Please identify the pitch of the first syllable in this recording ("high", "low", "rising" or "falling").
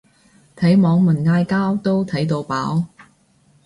rising